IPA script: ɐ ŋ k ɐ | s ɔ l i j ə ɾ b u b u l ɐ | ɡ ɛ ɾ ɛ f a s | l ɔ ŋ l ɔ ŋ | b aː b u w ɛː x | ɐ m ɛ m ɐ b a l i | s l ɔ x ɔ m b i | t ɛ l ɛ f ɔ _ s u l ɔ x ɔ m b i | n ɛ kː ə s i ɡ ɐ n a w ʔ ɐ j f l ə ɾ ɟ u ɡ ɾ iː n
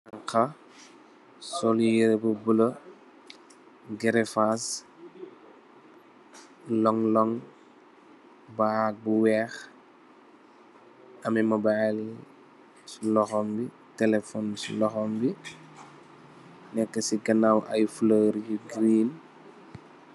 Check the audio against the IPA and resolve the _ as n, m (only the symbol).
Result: n